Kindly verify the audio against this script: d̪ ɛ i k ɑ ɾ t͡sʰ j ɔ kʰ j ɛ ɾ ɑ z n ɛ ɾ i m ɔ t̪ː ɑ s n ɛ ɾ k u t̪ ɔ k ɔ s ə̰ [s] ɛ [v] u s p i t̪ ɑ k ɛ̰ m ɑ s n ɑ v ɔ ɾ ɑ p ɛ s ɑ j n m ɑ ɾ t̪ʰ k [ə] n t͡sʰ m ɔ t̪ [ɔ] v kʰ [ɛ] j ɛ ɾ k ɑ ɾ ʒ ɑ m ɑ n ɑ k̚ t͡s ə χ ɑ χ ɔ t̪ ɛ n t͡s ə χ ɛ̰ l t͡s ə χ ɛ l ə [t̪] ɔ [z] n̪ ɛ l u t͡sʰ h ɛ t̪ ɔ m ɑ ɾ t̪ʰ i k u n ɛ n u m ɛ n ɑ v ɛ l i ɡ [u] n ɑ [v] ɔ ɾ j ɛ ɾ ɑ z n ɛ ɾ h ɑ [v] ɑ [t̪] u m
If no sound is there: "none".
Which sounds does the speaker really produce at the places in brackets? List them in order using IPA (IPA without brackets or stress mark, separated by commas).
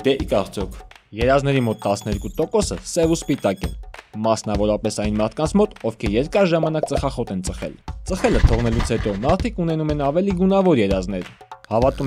s, v, ɑ, ɔ, ɛ, t̪ʰ, ʁ, u, v, v, t̪